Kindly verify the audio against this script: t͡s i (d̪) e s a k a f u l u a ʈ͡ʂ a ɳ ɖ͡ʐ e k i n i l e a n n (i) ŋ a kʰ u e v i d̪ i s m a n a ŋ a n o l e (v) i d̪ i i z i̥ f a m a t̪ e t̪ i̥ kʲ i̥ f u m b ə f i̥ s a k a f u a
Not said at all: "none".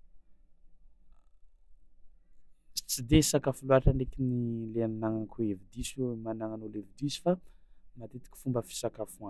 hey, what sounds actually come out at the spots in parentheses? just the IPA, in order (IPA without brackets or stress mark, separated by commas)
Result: d̪, a, v